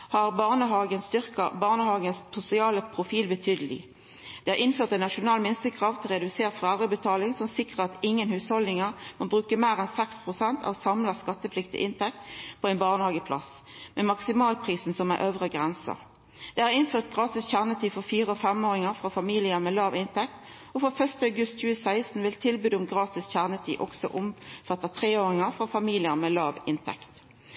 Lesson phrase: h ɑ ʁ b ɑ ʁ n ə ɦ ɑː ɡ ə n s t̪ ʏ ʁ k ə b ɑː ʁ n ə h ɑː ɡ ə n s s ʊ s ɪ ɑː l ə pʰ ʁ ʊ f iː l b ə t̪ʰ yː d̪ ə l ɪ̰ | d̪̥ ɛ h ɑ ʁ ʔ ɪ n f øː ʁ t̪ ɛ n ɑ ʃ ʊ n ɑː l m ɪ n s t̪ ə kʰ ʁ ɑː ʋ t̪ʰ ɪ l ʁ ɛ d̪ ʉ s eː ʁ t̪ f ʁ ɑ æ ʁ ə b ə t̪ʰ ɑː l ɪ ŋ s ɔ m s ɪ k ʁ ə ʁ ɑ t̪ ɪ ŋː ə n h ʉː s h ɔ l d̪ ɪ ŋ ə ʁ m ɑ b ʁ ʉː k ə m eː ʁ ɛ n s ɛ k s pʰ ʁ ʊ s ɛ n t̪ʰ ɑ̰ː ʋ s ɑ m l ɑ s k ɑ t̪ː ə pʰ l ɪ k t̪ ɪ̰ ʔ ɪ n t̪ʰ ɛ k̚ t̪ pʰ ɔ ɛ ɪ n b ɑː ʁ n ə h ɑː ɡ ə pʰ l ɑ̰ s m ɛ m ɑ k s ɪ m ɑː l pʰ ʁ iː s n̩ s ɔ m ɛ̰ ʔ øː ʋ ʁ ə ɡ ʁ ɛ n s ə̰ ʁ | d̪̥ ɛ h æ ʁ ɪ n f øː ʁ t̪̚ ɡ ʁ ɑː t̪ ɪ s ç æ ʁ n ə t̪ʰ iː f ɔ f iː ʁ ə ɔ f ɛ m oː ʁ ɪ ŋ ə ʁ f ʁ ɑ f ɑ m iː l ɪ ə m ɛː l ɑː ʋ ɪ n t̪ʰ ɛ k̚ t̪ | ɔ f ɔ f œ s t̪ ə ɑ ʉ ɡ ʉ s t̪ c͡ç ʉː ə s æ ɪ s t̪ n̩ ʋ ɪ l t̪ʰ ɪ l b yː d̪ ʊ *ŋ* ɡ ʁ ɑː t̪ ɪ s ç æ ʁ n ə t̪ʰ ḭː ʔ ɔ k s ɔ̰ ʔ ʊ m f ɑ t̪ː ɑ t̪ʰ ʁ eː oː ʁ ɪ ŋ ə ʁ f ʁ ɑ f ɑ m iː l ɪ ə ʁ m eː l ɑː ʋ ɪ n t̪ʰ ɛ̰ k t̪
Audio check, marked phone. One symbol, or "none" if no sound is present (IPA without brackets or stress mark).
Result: m